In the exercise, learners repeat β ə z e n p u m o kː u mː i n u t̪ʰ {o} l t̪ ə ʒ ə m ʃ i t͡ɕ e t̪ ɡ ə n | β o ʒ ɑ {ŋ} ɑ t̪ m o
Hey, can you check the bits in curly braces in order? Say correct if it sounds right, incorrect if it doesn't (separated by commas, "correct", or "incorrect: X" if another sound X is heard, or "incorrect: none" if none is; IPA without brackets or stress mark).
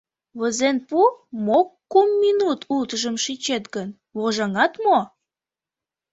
incorrect: u, correct